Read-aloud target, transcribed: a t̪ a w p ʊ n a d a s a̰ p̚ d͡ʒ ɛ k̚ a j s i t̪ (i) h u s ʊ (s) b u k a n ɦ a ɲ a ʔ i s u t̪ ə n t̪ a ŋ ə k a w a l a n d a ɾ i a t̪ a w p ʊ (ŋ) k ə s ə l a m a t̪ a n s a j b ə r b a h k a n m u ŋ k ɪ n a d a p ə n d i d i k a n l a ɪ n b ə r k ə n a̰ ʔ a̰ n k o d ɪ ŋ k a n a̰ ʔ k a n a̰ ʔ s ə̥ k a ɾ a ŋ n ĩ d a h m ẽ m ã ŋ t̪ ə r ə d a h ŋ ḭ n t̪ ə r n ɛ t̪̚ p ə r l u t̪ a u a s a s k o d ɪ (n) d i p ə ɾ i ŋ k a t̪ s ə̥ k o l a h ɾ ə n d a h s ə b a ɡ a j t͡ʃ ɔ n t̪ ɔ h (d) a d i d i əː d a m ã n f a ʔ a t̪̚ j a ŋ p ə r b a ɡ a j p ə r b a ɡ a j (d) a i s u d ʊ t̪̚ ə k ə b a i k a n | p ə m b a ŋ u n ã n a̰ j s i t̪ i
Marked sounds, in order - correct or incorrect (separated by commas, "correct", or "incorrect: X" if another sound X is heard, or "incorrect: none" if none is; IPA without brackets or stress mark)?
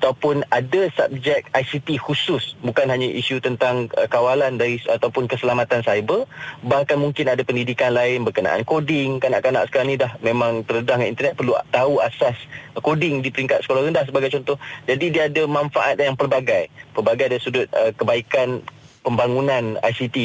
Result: correct, correct, incorrect: n, incorrect: ŋ, incorrect: d͡ʒ, correct